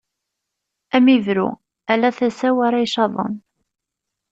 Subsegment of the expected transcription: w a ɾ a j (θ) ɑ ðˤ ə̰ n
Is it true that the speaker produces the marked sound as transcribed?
no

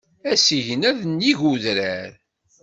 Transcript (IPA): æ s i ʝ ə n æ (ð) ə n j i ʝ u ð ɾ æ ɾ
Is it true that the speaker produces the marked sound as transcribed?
yes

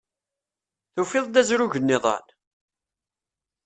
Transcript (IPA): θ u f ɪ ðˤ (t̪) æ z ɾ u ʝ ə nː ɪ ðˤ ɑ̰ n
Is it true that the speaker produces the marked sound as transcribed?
no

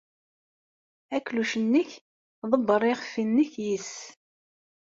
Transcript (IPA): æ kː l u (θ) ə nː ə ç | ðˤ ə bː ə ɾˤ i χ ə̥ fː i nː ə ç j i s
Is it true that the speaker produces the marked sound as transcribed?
no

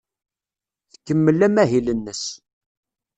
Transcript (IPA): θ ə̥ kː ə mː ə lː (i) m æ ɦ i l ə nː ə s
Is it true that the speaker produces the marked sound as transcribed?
no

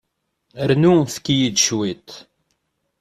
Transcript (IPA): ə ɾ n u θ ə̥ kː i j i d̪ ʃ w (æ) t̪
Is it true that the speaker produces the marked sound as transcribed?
no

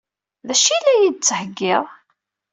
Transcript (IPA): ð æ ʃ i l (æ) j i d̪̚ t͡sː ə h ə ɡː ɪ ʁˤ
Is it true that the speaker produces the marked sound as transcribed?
yes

